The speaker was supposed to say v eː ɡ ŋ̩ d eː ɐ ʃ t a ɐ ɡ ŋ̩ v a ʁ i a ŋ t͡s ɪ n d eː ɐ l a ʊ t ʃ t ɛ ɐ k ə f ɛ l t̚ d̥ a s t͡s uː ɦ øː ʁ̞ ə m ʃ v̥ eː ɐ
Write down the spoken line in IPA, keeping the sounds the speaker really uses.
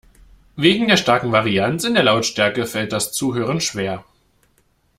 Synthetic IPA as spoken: v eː ɡ ŋ̩ d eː ɐ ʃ t a ɐ k ŋ̩ v a ʁ i a n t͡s ɪ n d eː ɐ l a ʊ t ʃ t ɛ ɐ k ə f ɛ l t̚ d̥ a s t͡s uː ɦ øː ʁ̞ ə n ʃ v̥ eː ɐ